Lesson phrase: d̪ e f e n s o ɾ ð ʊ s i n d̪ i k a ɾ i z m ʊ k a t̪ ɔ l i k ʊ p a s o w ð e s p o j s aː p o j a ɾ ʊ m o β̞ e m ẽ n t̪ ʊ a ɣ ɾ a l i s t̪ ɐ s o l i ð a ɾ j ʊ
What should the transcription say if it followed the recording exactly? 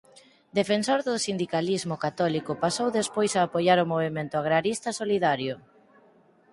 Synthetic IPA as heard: d̪ e f e n s o ɾ ð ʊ s i n d̪ i k a l i z m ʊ k a t̪ ɔ l i k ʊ p a s o w ð e s p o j s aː p o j a ɾ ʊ m o β̞ e m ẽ n t̪ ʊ a ɣ ɾ a ɾ i s t̪ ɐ s o l i ð a ɾ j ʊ